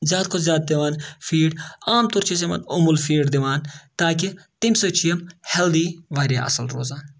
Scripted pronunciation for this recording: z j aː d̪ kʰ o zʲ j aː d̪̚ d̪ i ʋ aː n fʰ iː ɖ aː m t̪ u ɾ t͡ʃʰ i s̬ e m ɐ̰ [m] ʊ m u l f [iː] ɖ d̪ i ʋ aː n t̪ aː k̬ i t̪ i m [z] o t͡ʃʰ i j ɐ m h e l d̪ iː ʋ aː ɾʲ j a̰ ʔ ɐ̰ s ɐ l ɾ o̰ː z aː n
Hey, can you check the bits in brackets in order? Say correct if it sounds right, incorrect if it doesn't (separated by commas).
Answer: incorrect, correct, incorrect